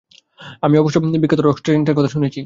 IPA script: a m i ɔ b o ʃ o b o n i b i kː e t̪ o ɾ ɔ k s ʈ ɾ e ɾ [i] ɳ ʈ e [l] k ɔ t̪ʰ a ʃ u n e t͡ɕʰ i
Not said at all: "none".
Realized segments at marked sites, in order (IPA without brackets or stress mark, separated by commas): e, ɾ